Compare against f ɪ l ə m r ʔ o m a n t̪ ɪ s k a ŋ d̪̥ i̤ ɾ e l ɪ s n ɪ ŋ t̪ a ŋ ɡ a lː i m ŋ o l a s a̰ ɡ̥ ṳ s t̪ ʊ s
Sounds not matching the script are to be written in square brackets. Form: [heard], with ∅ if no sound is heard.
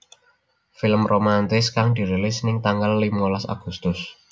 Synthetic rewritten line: f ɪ l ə m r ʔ o m a n t̪ ɪ s k a ŋ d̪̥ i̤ ɾ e l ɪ s n ɪ ŋ t̪ a ŋ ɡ a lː i m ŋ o l a s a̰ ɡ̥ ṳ s t̪ ʊ s